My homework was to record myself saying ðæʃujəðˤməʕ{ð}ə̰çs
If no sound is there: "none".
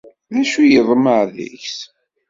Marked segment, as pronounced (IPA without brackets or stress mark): ð